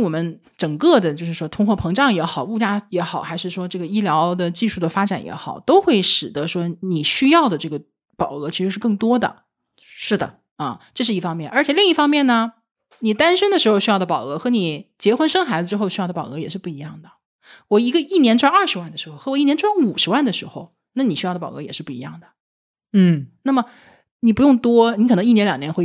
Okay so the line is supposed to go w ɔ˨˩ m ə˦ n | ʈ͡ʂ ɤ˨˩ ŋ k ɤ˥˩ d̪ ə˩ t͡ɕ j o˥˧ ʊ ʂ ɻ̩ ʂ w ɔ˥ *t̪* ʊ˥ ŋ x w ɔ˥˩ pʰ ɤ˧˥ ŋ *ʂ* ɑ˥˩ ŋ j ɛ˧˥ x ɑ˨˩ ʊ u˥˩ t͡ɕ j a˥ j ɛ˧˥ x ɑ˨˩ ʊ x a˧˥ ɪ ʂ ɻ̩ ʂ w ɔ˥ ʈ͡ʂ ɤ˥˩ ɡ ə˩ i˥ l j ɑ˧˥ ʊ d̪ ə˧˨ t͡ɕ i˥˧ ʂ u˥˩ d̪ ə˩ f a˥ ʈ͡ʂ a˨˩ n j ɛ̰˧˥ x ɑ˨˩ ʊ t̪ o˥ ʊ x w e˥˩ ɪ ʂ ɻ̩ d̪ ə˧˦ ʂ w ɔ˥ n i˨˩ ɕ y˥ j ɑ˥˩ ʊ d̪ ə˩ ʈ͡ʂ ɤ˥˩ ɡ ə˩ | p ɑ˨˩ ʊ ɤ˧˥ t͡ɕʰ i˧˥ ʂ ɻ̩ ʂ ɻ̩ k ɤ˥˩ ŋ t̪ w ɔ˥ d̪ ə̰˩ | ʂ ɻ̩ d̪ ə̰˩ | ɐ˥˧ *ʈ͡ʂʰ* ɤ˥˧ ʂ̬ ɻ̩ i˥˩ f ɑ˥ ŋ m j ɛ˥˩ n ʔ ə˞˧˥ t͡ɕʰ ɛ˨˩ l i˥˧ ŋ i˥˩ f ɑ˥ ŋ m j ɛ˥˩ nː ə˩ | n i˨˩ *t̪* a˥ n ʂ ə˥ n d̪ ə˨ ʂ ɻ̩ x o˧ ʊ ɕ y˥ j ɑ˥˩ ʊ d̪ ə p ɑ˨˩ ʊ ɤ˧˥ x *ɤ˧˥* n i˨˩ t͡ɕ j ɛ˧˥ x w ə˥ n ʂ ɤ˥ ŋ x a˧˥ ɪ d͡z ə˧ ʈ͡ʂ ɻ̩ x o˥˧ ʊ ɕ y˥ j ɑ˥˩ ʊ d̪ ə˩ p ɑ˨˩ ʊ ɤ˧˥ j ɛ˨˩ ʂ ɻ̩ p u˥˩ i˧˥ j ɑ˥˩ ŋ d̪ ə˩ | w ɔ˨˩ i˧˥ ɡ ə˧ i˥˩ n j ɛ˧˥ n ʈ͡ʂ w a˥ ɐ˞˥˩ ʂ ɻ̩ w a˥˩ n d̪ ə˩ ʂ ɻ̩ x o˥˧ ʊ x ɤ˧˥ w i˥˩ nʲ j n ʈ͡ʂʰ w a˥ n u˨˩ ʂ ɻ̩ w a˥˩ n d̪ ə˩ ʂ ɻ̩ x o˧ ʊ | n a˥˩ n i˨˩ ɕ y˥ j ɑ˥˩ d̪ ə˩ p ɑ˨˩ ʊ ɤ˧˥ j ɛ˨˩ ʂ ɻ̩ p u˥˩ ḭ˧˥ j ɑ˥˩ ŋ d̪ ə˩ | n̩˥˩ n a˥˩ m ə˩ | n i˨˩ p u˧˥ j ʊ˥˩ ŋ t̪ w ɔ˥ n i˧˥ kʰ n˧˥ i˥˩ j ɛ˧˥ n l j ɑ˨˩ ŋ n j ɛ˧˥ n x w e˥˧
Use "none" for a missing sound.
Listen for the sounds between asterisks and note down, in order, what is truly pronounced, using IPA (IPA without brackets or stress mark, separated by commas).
t̪ʰ, ʈ͡ʂ, ʈ͡ʂ, t̪, ɤ˧˥